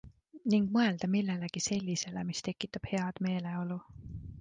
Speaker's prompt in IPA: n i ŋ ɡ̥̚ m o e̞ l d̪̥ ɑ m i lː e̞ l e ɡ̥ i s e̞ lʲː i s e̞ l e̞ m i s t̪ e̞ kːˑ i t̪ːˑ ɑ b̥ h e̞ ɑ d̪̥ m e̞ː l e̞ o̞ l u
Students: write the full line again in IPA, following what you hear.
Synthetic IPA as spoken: n i ŋ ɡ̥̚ m ɤ e̞ l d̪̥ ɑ m i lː e̞ l e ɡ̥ i s e̞ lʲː i s e̞ l e̞ m i s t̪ e̞ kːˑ i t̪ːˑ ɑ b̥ h e̞ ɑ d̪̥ m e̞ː l e̞ o̞ l u